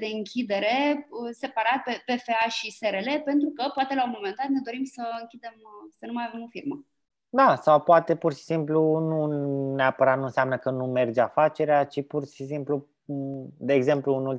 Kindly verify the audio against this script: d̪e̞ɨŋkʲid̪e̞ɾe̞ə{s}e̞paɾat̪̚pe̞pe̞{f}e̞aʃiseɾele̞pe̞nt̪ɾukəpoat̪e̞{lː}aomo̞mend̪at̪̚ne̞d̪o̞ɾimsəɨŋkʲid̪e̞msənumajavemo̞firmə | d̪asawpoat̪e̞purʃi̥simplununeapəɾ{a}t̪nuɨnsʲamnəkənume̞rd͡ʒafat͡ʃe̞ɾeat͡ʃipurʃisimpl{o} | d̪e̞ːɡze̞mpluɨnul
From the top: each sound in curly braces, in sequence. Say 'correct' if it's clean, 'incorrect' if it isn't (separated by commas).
correct, correct, incorrect, correct, incorrect